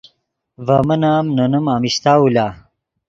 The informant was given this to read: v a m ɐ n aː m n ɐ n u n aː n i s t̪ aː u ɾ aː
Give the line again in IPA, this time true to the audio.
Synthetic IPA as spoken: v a m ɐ n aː m n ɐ n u m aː m i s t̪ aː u l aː